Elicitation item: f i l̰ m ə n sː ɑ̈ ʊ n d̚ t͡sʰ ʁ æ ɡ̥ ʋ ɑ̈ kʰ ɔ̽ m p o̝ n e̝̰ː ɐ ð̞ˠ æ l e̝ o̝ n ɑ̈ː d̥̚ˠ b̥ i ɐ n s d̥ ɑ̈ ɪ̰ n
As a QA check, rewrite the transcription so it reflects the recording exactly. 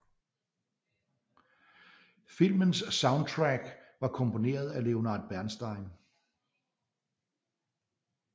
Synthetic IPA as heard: f i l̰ m ə n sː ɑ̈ ʊ n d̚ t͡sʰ ʁ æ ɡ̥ ʋ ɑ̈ kʰ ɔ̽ m p o̝ n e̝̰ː ɐ ð̞ˠ æ l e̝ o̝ n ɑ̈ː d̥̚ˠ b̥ æ ɐ n s d̥ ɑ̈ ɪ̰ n

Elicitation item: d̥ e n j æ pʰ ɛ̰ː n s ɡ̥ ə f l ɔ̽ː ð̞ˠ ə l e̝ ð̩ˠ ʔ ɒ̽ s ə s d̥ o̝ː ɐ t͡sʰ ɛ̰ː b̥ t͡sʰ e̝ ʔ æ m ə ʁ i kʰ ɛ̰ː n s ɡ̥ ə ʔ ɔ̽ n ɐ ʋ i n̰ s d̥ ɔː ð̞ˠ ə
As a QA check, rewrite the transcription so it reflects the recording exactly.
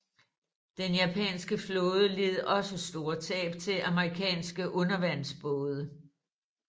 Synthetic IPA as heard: d̥ e n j æ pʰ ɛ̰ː n s ɡ̥ ə f l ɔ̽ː ð̞ˠ ə l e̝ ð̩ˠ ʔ ɒ̽ s ə s d̥ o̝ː ɐ t͡sʰ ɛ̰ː b̥ t͡sʰ e̝ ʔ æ m ə ʁ i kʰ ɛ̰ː n s ɡ̥ ə ʔ ɔ̽ n ɐ ʋ æ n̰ s b̥ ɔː ð̞ˠ ə

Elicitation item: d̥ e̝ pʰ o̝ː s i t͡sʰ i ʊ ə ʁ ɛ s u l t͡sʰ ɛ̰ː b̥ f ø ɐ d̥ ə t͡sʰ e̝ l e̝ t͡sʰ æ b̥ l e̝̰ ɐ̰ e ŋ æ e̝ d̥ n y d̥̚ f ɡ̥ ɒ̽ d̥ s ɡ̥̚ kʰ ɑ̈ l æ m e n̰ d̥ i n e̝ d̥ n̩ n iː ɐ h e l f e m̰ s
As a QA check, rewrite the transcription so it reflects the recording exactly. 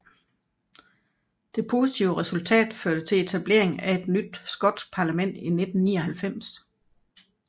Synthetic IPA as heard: d̥ e̝ pʰ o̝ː s i t͡sʰ i ʊ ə ʁ ɛ s u l t͡sʰ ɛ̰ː d̥ f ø ɐ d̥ ə t͡sʰ e̝ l e̝ t͡sʰ æ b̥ l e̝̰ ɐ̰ e ŋ æ e̝ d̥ n y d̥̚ s ɡ̥ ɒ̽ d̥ s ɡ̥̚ pʰ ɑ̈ l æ m e n̰ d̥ i n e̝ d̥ n̩ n iː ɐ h æ l f e m̰ s

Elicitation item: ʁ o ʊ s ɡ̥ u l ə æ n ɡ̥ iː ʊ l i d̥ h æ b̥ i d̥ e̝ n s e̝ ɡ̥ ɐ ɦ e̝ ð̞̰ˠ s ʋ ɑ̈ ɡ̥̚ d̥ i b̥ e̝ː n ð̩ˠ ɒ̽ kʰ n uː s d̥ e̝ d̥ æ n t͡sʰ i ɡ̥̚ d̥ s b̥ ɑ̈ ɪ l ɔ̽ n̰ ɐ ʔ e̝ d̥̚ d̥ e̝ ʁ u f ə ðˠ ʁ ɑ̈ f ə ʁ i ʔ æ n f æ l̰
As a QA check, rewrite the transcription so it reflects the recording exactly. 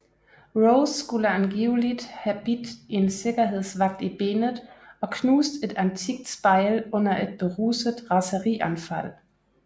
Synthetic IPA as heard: ʁ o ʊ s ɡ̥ u l ə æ n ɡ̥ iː ʊ l i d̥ h æ b̥ i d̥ e̝ n s e̝ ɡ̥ ɐ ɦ e̝ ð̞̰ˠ s ʋ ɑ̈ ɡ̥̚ d̥ i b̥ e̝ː n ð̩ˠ ɒ̽ kʰ n uː s d̥ e̝ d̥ æ n t͡sʰ i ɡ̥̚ d̥ s b̥ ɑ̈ ɪ l ɔ̽ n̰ ɐ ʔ e̝ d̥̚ b̥ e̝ ʁ u s ə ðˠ ʁ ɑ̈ s ə ʁ i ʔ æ n f æ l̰

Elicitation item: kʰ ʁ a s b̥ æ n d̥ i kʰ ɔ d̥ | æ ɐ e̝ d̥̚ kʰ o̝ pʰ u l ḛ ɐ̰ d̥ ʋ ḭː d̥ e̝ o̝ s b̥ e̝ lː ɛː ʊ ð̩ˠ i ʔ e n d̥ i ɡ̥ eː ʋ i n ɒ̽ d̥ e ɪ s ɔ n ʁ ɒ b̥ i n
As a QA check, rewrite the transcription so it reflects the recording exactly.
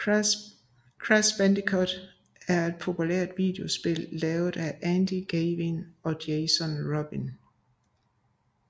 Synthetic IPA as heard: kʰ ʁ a s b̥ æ n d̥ i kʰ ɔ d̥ | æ ɐ e̝ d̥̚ pʰ o̝ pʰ u l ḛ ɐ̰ d̥ ʋ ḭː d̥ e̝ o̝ s b̥ e̝ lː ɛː ʊ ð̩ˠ æ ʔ æ n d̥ i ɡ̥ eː ʋ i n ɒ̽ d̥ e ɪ s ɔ n ʁ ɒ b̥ i n

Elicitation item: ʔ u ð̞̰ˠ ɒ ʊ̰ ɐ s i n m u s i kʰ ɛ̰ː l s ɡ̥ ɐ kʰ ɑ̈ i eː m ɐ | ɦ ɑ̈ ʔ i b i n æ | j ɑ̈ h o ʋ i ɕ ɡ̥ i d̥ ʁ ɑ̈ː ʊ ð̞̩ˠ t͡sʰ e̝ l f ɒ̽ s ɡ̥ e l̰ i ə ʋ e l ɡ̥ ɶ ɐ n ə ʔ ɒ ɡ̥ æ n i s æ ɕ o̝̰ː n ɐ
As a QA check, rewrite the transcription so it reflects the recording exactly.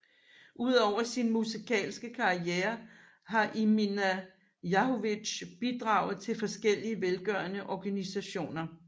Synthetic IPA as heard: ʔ u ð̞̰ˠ ɒ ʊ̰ ɐ s i n m u s i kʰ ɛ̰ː l s ɡ̥ ə kʰ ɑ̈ i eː ɐ | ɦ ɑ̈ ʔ i m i n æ | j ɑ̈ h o ʋ i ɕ b̥ i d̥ ʁ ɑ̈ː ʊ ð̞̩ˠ t͡sʰ e̝ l f ɒ̽ s ɡ̥ e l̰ i ə ʋ e l ɡ̥ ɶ ɐ n ə ʔ ɒ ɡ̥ æ n i s æ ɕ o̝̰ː n ɐ

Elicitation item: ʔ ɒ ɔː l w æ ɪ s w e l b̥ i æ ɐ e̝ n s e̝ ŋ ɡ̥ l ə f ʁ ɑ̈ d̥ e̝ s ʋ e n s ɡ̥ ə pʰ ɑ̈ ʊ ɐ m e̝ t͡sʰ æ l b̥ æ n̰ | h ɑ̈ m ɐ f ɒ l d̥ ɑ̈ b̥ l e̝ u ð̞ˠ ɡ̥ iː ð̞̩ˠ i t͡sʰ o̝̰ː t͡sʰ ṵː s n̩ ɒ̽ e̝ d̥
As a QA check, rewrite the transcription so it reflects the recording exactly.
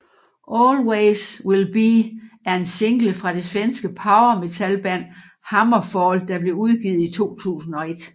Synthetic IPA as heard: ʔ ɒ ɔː l w e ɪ s w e l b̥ i æ ɐ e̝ n s e̝ ŋ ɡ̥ l ə f ʁ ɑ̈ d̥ e̝ s ʋ e n s ɡ̥ ə pʰ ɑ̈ ʊ ɐ m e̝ t͡sʰ æ l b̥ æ n̰ | h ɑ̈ m ɐ f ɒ l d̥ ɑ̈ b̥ l e̝ u ð̞ˠ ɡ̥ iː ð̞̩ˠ i t͡sʰ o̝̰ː t͡sʰ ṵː s n̩ ɒ̽ e̝ d̥

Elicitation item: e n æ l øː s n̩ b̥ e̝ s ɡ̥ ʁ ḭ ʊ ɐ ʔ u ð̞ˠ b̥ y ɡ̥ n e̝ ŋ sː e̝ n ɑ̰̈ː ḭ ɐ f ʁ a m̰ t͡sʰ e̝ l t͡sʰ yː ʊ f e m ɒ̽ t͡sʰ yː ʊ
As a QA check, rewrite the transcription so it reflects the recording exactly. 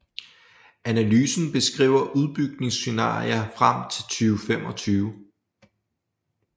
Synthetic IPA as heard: æ n æ l yː s n̩ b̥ e̝ s ɡ̥ ʁ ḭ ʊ ɐ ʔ u ð̞ˠ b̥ y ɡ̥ n e̝ ŋ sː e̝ n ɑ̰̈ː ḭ ɐ f ʁ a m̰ t͡sʰ e̝ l t͡sʰ yː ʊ f e m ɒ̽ t͡sʰ yː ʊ

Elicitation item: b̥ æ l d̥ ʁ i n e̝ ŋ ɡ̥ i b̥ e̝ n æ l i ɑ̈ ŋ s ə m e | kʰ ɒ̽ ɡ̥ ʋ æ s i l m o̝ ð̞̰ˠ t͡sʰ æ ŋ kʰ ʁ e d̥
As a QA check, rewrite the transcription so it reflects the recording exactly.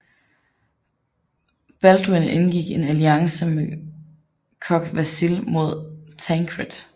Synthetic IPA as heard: b̥ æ l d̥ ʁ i n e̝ n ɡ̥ i ɡ̥ e̝ n æ l i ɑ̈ ŋ s ə m e | kʰ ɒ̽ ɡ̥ ʋ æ s i l m o̝ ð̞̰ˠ t͡sʰ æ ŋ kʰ ʁ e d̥

